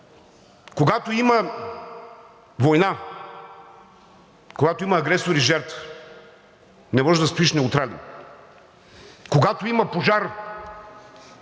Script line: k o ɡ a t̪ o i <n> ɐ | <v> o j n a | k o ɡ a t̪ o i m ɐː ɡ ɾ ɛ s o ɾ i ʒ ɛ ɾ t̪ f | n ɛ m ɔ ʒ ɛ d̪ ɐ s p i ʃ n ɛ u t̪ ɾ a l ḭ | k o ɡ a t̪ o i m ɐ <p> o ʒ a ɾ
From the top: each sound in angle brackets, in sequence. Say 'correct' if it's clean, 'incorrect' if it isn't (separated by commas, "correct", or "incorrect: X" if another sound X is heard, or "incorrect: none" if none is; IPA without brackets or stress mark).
incorrect: m, correct, correct